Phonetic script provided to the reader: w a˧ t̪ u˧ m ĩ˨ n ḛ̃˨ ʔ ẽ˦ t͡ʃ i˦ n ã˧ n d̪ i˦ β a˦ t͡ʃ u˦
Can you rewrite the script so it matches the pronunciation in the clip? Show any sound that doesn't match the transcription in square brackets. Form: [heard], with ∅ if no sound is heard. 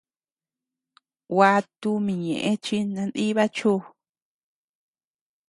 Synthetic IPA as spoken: w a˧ t̪ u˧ m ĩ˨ [ɲ] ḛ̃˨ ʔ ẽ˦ t͡ʃ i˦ n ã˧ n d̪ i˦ β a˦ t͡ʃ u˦